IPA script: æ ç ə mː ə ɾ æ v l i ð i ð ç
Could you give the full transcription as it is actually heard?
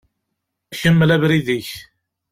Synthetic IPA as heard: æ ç ə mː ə l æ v ɾ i ð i ç